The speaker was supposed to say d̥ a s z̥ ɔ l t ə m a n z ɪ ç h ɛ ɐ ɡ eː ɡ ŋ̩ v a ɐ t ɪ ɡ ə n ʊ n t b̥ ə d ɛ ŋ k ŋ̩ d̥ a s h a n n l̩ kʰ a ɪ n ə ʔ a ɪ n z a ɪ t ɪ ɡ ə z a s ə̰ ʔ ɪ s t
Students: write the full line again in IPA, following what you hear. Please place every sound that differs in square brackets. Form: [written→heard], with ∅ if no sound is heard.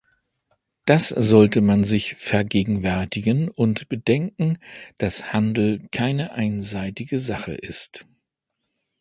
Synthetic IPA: d̥ a s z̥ ɔ l t ə m a n z ɪ ç [h→f] ɛ ɐ ɡ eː ɡ ŋ̩ v [a→ɛ] ɐ t ɪ ɡ ə n ʊ n t b̥ ə d ɛ ŋ k ŋ̩ d̥ a s h a n [n→d] l̩ kʰ a ɪ n ə ʔ a ɪ n z a ɪ t ɪ ɡ ə z a [s→χ] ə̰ ʔ ɪ s t